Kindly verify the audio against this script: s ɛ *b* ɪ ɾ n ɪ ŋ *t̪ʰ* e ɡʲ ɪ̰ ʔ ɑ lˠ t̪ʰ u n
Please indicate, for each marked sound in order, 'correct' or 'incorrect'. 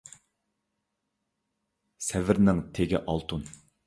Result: incorrect, correct

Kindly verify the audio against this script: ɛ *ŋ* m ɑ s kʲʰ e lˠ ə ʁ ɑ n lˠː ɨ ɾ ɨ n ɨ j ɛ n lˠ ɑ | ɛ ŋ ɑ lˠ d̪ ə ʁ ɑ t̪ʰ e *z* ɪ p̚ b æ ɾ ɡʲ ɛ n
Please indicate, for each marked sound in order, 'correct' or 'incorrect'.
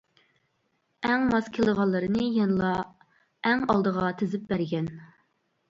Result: correct, correct

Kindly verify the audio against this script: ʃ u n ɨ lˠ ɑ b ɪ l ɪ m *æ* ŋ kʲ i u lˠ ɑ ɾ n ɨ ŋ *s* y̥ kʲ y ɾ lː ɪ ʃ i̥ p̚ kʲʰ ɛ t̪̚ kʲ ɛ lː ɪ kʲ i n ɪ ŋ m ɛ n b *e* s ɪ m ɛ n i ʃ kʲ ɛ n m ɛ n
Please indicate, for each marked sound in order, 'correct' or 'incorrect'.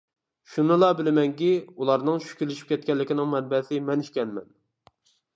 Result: incorrect, incorrect, incorrect

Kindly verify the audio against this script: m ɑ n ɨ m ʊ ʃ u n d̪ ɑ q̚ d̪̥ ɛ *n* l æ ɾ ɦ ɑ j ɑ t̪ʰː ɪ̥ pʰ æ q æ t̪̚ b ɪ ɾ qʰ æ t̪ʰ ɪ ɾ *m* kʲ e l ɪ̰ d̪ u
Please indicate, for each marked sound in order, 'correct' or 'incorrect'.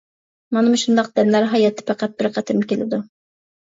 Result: correct, correct

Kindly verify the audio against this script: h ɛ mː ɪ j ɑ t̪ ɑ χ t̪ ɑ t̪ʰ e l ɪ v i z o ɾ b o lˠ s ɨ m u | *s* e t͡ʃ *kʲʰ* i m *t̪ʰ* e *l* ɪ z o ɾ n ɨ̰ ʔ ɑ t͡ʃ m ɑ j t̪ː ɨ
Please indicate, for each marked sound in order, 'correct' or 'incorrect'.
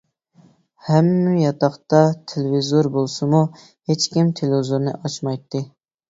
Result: incorrect, incorrect, correct, correct

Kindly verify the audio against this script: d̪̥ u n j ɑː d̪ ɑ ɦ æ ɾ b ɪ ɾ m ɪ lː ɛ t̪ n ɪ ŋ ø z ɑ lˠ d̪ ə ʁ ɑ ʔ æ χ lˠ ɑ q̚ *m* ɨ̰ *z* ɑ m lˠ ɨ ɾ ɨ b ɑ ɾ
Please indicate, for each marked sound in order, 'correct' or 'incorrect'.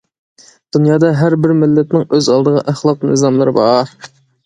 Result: incorrect, correct

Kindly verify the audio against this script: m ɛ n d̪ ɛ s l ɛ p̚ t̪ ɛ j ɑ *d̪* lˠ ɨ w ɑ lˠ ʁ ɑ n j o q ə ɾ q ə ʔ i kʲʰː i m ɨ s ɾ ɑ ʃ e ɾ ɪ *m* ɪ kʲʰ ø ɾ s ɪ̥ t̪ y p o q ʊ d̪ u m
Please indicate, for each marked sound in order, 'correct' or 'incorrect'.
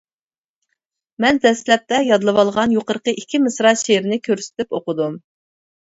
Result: correct, incorrect

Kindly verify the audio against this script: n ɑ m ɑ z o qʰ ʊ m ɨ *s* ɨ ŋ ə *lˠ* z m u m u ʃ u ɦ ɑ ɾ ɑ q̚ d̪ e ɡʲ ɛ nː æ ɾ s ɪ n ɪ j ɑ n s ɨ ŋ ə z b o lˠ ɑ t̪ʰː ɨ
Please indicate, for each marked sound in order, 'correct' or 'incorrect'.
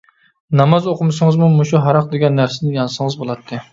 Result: correct, incorrect

